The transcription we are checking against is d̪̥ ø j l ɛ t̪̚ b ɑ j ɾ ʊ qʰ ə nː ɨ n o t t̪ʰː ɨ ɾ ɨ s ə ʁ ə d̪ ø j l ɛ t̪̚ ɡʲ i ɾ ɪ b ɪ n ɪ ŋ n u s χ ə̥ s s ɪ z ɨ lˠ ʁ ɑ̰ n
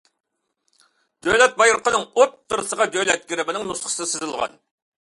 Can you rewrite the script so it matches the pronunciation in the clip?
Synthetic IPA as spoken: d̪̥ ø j l ɛ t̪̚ b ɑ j ɾ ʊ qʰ ə n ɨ ŋ o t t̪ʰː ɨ ɾ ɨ s ə ʁ ɑ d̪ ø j l ɛ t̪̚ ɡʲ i ɾ ɪ b ɪ n ɪ ŋ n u s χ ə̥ s s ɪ z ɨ lˠ ʁ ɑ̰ n